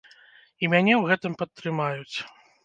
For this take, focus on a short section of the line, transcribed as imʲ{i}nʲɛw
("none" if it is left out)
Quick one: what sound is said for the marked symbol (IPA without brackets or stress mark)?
a